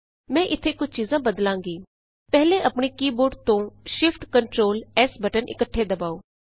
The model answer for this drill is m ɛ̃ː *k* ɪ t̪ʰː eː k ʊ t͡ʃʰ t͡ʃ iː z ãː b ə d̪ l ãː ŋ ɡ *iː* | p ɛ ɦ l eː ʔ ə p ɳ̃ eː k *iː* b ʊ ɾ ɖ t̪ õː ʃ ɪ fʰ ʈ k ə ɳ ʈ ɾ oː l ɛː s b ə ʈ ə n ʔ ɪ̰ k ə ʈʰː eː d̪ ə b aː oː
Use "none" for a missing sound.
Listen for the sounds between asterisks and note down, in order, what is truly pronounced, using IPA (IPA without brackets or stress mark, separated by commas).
ʔ, iː, iː